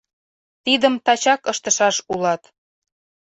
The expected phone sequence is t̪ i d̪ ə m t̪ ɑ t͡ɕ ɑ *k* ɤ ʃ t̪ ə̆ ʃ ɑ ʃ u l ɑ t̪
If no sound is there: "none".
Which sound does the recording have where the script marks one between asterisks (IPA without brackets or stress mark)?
k